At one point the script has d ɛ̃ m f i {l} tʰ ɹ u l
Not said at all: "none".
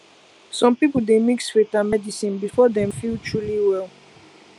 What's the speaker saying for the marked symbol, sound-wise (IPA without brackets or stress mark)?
l